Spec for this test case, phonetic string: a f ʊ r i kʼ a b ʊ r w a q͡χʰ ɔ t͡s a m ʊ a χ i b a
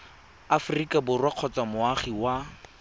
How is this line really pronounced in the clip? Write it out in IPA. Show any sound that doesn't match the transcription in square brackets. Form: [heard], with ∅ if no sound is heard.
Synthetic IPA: a f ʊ r i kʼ a b ʊ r w a q͡χʰ ɔ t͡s a m ʊ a χ i [w] a

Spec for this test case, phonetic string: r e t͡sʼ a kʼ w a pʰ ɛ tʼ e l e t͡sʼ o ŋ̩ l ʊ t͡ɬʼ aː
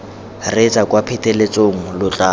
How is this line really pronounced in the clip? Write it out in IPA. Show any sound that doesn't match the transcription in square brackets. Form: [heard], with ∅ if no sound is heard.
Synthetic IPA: r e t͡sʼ a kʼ w a pʰ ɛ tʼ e l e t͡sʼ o ŋ̩ l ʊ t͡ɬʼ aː

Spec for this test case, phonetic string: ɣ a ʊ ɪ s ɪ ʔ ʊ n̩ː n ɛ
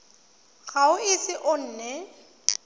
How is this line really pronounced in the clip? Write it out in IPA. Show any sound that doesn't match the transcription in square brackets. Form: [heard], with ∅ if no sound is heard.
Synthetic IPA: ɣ a ʊ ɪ s ɪ ʔ ʊ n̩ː n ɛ

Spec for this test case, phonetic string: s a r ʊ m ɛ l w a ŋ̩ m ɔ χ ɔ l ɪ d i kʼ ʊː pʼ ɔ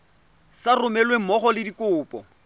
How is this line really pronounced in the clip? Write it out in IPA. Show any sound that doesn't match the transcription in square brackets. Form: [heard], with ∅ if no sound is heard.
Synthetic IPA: s a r ʊ m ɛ l w [e] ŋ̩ m ɔ χ ɔ l ɪ d i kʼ ʊː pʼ ɔ

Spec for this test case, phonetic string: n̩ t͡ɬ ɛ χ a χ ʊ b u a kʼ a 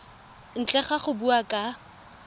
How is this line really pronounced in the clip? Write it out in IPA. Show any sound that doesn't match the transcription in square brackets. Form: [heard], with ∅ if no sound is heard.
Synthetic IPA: n̩ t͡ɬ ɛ χ a χ ʊ b u a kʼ a

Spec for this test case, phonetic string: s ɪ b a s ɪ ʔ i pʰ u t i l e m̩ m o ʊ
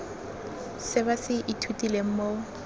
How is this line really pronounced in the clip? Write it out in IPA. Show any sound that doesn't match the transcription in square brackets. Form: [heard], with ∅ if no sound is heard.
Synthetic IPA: s ɪ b a s ɪ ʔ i [tʰ] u t i l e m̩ m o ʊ

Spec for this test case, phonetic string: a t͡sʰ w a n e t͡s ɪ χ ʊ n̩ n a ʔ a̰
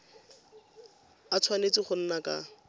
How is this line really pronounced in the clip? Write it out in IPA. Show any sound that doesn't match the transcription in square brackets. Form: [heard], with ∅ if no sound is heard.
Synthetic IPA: a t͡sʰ w a n e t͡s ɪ χ ʊ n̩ n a [k] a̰

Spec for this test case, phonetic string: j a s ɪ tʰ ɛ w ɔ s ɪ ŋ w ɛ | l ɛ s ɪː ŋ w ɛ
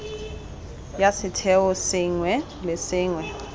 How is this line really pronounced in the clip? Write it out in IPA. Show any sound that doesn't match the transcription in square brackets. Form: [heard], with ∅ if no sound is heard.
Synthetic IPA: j a s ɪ tʰ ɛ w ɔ s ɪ ŋ w ɛ | l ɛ s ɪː ŋ w ɛ

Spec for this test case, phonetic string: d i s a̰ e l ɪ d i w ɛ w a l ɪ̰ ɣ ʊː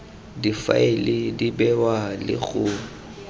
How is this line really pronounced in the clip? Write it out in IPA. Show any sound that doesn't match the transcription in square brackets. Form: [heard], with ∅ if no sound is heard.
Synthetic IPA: d i [f] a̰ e l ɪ d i [b] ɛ w a l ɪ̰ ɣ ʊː

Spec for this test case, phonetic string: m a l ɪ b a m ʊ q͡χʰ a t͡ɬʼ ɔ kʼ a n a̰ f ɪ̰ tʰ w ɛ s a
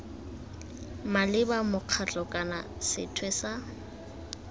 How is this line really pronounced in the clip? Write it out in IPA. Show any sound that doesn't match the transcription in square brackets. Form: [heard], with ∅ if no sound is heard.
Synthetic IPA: m a l ɪ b a m ʊ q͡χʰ a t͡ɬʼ ɔ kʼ a n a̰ [s] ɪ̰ tʰ w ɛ s a

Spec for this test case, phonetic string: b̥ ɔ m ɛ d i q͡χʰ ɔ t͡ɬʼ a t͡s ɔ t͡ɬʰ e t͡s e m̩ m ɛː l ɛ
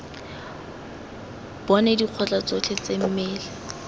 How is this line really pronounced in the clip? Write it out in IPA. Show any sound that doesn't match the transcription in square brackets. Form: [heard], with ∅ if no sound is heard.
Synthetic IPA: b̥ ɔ [n] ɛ d i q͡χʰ ɔ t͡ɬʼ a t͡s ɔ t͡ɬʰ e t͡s e m̩ m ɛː l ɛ

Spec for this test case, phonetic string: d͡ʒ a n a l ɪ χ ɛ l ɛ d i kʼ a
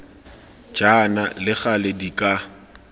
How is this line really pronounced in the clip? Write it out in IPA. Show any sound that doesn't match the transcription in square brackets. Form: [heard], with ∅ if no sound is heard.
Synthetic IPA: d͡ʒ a n a l ɪ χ [a] l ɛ d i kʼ a

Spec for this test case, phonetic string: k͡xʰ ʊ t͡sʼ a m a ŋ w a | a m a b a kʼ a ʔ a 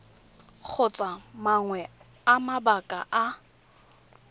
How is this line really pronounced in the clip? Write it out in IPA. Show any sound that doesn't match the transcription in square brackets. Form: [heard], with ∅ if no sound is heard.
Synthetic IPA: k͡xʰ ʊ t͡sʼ a m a ŋ w [ɛ] | a m a b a kʼ a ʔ a

